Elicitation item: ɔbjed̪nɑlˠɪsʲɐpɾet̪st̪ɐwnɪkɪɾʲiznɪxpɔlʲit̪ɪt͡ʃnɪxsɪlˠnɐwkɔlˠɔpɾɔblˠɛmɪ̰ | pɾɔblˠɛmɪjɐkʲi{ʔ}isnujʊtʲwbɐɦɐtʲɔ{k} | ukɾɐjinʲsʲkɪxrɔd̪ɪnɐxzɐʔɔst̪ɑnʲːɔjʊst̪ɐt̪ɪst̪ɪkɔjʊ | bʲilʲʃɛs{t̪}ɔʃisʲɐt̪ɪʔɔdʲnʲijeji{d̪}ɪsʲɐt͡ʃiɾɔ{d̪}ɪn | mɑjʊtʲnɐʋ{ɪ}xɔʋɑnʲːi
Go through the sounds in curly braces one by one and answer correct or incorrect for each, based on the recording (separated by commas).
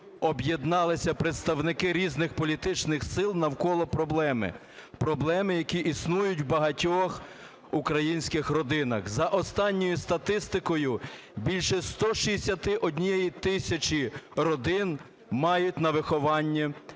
correct, incorrect, correct, incorrect, correct, correct